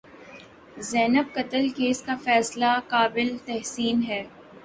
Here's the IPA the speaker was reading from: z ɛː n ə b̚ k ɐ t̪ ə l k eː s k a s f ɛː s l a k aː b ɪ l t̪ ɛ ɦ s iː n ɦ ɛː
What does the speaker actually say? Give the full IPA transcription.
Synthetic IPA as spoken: z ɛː n ə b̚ k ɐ t̪ ə l k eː s k a f ɛː s l a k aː b ɪ l t̪ ɛ ɦ s iː n ɦ ɛː